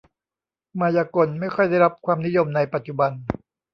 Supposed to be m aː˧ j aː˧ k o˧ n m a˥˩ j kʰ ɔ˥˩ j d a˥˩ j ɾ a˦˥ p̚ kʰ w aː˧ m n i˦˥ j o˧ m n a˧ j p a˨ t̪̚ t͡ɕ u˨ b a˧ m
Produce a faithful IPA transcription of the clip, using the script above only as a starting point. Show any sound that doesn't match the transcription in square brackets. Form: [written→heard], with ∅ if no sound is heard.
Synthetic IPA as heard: m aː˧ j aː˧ k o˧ n m a˥˩ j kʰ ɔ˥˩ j d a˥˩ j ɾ a˦˥ p̚ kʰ w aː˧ m n i˦˥ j o˧ m n a˧ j p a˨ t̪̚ t͡ɕ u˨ b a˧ [m→n]